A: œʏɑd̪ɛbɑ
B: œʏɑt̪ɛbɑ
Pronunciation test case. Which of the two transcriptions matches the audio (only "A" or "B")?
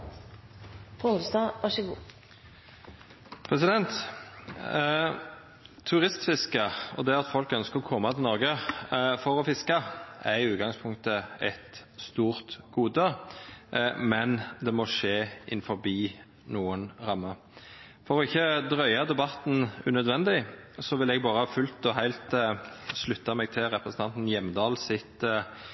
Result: A